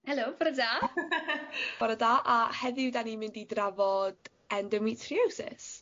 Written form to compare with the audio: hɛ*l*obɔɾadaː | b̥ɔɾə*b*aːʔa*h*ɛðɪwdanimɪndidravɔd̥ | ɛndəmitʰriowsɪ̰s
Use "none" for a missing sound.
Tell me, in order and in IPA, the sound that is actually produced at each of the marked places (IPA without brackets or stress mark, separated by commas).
l, d, h